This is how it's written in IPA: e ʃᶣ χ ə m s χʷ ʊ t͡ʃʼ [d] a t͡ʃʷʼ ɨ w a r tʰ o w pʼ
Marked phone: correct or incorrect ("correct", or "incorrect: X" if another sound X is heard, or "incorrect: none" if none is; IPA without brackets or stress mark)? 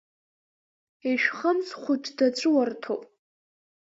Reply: correct